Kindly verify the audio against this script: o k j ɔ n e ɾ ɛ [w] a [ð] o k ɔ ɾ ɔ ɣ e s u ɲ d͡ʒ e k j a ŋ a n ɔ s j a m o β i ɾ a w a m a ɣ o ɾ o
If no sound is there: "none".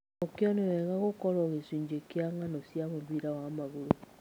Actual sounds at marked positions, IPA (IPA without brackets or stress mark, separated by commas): ɣ, ɣ